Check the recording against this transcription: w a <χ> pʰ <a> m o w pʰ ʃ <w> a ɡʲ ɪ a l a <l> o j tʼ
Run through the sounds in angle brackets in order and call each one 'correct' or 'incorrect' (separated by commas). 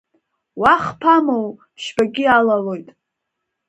correct, correct, incorrect, correct